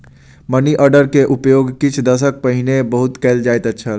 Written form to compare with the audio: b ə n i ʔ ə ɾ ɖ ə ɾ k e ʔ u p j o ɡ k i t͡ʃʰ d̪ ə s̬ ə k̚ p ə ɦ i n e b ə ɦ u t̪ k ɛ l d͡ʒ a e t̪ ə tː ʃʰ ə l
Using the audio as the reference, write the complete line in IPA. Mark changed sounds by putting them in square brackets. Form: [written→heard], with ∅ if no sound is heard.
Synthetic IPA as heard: [b→m] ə n i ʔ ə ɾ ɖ ə ɾ k e ʔ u p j o ɡ k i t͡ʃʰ d̪ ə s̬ ə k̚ p ə ɦ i n e b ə ɦ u t̪ k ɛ l d͡ʒ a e t̪ ə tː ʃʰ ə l